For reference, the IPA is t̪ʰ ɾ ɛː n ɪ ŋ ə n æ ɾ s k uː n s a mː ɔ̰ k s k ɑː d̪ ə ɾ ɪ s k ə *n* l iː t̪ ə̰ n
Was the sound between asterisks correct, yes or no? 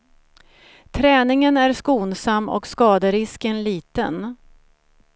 yes